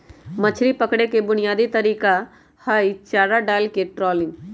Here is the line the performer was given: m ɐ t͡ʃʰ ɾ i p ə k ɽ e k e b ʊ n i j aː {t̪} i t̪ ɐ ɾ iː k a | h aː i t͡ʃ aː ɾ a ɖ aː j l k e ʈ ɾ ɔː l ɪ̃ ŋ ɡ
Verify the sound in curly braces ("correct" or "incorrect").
incorrect